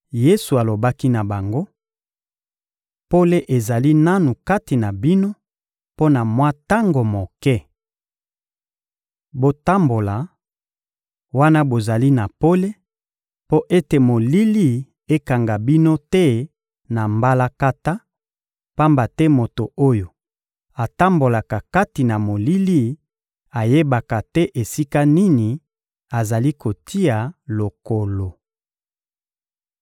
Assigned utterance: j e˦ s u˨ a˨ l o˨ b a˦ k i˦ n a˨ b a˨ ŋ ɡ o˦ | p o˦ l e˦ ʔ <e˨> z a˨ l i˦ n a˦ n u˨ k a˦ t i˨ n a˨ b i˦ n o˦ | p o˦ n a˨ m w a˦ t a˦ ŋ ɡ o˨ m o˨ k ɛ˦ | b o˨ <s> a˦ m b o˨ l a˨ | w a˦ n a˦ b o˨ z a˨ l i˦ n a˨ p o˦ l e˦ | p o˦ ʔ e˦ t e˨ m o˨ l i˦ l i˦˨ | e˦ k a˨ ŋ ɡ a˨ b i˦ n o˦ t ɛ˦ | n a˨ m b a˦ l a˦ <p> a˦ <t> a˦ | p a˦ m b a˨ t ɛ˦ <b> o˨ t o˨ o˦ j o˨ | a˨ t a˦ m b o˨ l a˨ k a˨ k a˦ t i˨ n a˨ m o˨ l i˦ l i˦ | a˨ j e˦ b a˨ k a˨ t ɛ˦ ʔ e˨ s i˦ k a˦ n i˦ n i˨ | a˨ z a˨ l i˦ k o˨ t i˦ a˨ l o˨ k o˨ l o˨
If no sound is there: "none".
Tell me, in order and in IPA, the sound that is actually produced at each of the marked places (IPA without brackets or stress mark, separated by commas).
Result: e˨, t, k, t, m